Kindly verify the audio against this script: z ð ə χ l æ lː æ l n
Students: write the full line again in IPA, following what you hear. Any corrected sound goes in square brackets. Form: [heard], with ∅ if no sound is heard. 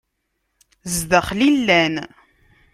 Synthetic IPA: z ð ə χ l [i] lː æ [∅] n